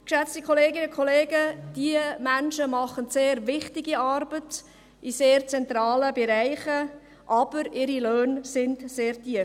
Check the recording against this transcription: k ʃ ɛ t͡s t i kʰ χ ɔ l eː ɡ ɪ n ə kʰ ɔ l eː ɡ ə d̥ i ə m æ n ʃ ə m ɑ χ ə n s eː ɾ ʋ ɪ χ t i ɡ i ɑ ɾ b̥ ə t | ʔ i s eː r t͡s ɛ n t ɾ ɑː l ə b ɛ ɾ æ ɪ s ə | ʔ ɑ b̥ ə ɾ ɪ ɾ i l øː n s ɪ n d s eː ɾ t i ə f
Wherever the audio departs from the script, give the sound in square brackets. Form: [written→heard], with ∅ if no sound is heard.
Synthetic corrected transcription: k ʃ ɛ t͡s t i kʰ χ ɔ l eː ɡ ɪ n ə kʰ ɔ l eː ɡ ə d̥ i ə m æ n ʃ ə m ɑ χ ə n s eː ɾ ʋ ɪ χ t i ɡ i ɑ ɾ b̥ ə t | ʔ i s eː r t͡s ɛ n t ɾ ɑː l ə b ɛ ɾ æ ɪ [s→χ] ə | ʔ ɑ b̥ ə ɾ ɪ ɾ i l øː n s ɪ n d s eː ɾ t i ə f